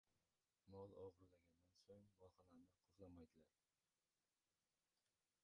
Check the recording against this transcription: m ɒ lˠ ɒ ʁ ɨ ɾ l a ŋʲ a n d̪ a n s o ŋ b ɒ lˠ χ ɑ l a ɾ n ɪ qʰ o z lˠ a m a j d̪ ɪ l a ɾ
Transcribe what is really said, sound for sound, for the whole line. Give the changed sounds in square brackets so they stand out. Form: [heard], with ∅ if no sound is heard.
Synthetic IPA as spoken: m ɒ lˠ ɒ ʁ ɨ ɾ l a [ɡʲ] a n d̪ a n s o ŋ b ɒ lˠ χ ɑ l a ɾ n ɪ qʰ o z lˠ a m a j d̪ ɪ l a ɾ